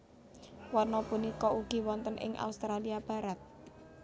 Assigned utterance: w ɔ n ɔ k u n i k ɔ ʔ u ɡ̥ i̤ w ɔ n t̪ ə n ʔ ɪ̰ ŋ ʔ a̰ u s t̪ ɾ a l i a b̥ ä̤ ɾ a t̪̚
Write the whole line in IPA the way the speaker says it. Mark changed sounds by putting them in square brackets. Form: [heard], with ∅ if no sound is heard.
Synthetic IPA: w ɔ n ɔ [p] u n i k ɔ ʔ u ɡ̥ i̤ w ɔ n t̪ ə n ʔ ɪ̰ ŋ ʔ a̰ u s t̪ ɾ a l i a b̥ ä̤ ɾ a t̪̚